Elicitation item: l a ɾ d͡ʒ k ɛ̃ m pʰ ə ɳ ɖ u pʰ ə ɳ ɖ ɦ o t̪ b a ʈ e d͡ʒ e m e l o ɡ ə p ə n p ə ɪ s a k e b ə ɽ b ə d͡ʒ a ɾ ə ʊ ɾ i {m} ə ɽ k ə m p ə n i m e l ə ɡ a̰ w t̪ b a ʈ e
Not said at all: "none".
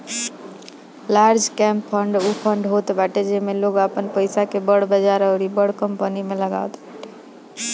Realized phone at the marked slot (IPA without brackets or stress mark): b